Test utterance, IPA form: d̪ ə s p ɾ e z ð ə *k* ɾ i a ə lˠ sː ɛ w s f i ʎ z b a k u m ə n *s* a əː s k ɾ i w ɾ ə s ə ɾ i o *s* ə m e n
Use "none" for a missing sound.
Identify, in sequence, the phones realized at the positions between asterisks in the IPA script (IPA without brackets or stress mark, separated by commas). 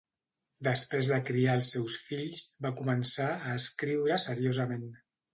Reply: k, s, z